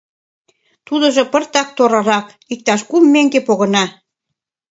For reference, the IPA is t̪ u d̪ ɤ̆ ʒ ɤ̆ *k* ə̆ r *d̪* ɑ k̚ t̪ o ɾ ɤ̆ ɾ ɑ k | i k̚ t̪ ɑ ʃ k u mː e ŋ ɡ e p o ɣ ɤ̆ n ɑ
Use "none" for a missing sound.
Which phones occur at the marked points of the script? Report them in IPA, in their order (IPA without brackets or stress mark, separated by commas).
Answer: p, t̪